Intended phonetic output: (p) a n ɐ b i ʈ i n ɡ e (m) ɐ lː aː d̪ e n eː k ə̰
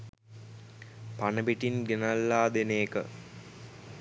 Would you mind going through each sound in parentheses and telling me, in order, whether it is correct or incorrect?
correct, incorrect

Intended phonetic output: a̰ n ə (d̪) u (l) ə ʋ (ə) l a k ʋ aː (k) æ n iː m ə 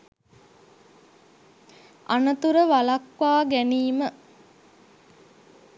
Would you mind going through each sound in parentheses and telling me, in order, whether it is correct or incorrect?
incorrect, incorrect, incorrect, incorrect

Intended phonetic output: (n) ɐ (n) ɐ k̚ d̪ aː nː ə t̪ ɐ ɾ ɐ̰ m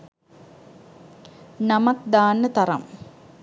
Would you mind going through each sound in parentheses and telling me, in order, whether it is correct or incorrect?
correct, incorrect

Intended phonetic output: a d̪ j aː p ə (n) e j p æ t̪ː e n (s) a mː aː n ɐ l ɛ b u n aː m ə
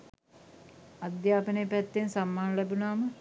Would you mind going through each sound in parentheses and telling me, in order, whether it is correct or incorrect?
correct, correct

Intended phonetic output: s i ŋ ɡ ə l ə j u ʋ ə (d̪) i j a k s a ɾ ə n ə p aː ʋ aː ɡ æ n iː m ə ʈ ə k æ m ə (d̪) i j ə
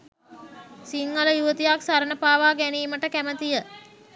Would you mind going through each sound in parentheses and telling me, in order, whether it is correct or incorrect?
incorrect, incorrect

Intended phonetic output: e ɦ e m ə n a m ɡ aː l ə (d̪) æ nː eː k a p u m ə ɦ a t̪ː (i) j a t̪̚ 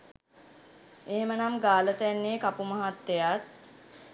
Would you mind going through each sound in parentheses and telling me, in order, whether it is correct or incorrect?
incorrect, incorrect

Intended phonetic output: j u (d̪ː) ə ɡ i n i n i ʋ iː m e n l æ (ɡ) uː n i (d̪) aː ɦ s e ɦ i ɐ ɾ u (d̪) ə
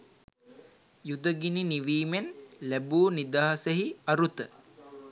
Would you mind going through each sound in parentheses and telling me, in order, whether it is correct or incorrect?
incorrect, incorrect, correct, incorrect

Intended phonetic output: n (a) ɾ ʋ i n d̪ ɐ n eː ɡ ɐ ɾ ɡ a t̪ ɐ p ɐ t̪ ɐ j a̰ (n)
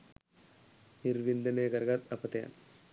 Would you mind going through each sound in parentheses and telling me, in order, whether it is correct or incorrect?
incorrect, correct

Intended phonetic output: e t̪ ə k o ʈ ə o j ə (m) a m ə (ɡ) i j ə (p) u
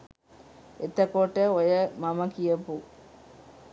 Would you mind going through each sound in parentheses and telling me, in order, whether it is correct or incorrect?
correct, incorrect, correct

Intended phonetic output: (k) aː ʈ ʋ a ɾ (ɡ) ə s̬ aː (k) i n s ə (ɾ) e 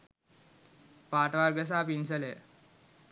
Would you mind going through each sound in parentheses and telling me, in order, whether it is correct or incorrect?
incorrect, correct, incorrect, incorrect

